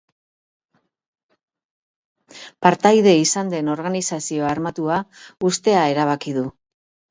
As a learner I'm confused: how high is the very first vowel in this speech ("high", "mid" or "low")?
low